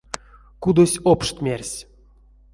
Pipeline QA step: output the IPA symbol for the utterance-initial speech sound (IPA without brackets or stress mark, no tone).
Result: k